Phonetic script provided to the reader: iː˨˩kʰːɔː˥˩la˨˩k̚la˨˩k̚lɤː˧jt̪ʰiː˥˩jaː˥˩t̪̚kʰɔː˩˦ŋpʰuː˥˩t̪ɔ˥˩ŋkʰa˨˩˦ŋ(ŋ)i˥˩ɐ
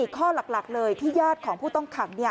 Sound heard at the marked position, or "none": n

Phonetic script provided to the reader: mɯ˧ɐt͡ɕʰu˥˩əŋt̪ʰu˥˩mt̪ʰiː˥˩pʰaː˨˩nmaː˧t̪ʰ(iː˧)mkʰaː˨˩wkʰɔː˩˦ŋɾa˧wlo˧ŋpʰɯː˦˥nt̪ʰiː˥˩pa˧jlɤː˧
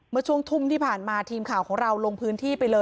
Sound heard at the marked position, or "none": iː˧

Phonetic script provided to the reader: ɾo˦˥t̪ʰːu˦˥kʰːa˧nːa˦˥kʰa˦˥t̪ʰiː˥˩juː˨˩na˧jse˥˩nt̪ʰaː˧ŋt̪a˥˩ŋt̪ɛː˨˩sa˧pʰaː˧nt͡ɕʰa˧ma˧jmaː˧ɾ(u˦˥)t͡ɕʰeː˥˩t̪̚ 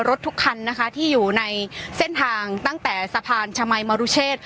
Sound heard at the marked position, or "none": u˦˥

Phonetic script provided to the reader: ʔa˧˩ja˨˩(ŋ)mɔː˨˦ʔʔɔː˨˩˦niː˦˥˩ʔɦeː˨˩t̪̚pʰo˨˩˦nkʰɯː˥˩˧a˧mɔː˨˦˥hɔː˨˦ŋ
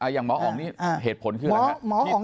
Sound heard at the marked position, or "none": ŋ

